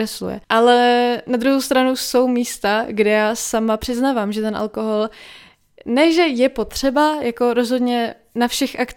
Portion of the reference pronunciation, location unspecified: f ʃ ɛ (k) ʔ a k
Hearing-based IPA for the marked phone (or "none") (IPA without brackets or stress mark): x